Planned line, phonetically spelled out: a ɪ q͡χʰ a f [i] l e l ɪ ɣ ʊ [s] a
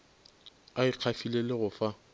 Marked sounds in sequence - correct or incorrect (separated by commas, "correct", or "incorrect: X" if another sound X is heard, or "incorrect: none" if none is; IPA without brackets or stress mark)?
correct, incorrect: f